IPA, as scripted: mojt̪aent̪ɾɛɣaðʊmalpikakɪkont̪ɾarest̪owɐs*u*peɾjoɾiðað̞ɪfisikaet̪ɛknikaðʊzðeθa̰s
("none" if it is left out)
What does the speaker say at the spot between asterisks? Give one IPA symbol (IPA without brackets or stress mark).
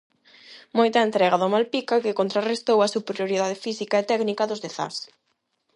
u